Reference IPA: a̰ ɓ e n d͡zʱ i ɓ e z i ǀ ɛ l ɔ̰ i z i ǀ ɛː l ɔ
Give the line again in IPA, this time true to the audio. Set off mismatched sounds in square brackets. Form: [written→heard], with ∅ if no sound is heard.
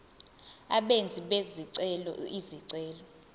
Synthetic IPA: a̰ ɓ e n d͡zʱ i ɓ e z i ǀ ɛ l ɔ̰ i z i ǀ ɛː l ɔ